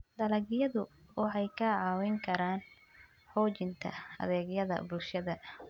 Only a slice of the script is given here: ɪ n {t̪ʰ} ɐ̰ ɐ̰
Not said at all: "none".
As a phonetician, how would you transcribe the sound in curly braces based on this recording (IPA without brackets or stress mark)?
t̪ʰ